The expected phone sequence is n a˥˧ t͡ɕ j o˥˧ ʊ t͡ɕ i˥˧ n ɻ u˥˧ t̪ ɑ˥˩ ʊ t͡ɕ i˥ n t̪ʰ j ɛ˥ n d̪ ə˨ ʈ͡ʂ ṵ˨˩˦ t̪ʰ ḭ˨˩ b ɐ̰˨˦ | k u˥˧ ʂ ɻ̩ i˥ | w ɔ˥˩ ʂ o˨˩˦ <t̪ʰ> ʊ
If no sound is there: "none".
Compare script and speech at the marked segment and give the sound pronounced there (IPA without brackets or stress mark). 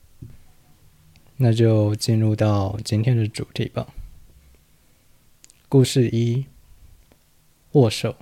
none